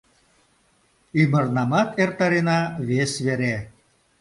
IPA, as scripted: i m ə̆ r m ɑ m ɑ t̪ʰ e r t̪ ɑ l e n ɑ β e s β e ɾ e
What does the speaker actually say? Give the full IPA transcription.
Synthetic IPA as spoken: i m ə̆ r n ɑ m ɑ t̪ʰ e r t̪ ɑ ɾ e n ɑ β e s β e ɾ e